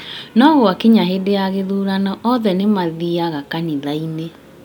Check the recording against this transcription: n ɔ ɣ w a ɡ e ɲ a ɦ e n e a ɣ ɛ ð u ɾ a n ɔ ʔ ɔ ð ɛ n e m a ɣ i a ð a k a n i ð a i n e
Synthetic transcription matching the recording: n ɔ ɣ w a k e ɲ a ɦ e d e a ɣ e ð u ɾ a n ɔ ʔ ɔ ð ɛ n e m a ð i a ɣ a k a n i ð a i n e